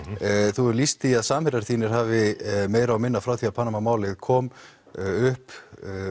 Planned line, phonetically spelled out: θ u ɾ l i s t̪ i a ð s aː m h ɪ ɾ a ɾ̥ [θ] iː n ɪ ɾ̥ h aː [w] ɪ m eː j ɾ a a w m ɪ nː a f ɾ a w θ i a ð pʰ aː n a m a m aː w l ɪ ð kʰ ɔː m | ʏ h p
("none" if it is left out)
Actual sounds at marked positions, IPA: θ, v

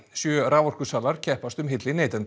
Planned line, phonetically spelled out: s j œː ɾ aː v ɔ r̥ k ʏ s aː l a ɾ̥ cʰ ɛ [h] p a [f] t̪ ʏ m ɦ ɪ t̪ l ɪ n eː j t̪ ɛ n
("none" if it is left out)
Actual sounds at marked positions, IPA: h, s

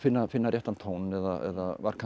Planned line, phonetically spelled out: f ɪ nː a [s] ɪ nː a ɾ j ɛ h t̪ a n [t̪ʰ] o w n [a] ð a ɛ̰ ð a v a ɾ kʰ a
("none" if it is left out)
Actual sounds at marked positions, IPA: f, t̪ʰ, ɛ

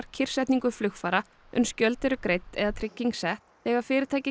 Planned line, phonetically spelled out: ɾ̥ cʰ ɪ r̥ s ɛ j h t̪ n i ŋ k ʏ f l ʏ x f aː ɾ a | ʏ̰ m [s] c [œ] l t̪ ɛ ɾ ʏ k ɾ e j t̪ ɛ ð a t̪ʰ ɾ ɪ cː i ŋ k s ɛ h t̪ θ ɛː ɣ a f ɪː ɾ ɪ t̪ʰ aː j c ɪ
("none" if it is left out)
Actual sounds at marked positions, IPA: s, œ

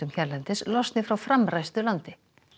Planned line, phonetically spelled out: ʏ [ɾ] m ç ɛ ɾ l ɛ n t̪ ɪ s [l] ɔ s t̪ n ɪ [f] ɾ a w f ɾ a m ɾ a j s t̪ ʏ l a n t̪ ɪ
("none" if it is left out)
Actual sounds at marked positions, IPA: none, l, f

